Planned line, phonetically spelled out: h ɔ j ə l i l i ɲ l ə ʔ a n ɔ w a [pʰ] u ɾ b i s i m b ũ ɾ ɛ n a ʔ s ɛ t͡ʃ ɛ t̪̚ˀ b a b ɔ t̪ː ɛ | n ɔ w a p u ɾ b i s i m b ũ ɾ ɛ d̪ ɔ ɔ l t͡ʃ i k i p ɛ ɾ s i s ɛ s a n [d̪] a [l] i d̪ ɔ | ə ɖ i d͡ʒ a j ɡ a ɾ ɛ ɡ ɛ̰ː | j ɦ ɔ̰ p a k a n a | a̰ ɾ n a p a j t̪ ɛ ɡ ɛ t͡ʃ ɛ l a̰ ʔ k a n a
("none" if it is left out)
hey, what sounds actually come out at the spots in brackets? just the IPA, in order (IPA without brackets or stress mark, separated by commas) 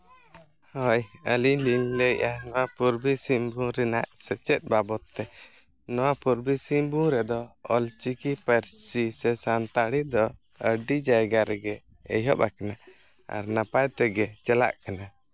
p, t̪, ɽ